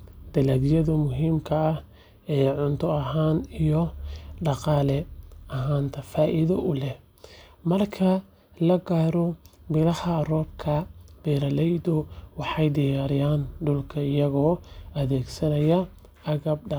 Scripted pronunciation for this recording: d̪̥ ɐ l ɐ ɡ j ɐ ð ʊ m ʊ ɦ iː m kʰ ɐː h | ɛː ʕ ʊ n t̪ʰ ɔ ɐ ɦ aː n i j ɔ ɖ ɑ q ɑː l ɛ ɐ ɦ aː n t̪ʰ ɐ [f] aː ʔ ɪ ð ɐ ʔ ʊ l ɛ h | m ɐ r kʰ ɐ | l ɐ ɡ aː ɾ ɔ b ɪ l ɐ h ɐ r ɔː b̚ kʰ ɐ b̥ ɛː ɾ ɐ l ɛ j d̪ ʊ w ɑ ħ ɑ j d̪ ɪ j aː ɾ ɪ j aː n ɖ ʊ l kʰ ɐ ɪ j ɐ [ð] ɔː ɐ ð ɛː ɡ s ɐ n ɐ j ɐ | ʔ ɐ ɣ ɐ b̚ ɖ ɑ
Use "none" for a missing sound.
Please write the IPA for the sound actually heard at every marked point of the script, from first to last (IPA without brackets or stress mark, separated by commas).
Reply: f, ɣ